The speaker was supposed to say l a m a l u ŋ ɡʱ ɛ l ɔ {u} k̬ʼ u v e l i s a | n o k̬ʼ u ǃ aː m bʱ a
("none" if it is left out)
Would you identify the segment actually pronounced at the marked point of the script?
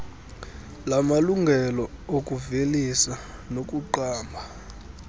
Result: o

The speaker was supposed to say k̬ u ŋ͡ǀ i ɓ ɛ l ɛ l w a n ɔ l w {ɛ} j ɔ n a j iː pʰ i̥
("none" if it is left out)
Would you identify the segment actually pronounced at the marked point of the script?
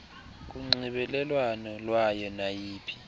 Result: a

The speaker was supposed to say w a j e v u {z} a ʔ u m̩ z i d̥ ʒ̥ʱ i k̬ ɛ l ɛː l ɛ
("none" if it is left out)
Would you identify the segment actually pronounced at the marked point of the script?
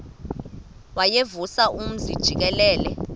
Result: s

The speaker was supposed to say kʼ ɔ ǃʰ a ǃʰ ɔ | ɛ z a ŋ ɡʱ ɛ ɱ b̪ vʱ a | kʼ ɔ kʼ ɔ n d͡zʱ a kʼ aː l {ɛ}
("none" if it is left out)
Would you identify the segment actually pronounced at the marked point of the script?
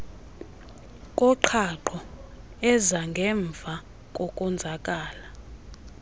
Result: a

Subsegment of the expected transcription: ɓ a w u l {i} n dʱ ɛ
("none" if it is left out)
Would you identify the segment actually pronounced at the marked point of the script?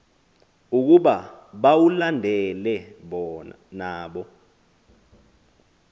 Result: a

